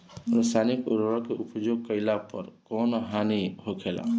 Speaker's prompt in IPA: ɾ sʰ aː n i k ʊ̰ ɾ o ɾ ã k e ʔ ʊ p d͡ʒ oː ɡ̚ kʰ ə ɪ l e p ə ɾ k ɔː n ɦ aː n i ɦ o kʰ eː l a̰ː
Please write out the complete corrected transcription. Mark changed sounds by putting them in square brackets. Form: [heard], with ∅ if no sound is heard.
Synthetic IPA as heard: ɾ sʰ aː n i k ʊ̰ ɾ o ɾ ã k e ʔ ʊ p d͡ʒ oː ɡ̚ [k] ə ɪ l [a] p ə ɾ k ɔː n ɦ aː n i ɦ o kʰ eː l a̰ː